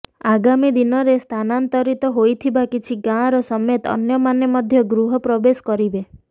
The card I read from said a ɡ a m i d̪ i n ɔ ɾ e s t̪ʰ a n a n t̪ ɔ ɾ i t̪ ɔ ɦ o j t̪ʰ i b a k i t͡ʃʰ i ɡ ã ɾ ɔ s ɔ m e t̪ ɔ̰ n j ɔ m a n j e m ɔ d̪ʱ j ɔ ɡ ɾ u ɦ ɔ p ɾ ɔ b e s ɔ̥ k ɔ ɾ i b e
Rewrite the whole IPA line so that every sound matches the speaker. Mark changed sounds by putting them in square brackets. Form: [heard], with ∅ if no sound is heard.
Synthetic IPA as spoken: a ɡ a m i d̪ i n ɔ ɾ e s t̪ʰ a n a n t̪ ɔ ɾ i t̪ ɔ ɦ o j t̪ʰ i b a k i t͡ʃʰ i ɡ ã ɾ ɔ s ɔ m e t̪ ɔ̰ n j ɔ m a n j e m ɔ d̪ʱ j ɔ ɡ ɾ u ɦ ɔ p ɾ ɔ b e s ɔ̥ k ɔ ɾ i b e